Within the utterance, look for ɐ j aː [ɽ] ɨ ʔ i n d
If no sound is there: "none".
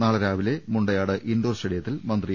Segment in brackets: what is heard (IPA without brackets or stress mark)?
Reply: ɽ